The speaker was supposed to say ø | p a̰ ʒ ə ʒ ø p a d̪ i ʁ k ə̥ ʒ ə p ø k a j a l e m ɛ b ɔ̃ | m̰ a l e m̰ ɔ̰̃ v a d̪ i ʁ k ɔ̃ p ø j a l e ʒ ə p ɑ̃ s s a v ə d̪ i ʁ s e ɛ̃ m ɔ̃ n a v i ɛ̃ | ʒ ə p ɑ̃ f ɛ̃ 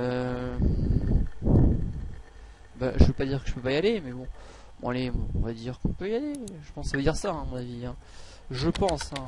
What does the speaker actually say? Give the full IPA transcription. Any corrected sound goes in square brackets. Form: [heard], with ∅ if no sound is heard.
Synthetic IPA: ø | [b] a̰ ʒ ə [v] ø p a d̪ i ʁ k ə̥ ʒ ə p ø [p] a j a l e m ɛ b ɔ̃ | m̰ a l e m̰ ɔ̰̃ v a d̪ i ʁ k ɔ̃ p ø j a l e ʒ ə p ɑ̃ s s a v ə d̪ i ʁ s [a] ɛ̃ m ɔ̃ n a v i ɛ̃ | ʒ ə p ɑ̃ [s] ɛ̃